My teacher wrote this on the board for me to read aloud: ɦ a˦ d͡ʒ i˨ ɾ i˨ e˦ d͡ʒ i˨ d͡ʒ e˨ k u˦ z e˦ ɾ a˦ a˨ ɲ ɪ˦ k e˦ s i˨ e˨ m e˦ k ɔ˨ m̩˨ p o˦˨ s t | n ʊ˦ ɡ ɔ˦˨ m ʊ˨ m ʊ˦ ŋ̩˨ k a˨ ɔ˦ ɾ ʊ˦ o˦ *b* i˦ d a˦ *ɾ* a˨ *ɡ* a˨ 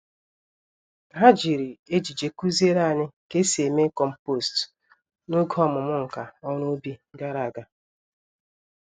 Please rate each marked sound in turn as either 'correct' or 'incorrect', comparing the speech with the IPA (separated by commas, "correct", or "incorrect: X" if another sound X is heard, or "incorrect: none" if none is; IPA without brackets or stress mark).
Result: correct, correct, correct